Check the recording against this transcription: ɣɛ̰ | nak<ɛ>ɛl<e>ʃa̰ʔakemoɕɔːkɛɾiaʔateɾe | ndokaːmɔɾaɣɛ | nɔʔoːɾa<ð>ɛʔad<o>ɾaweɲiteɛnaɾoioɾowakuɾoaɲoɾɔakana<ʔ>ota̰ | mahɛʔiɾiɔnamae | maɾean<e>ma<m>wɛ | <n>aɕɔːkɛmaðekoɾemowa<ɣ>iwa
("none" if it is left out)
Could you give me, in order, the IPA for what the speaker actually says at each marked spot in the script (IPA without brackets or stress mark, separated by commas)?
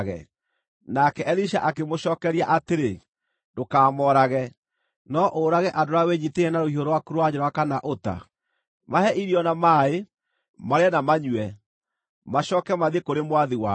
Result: ɛ, i, ɣ, o, ʔ, a, ɲ, m, ð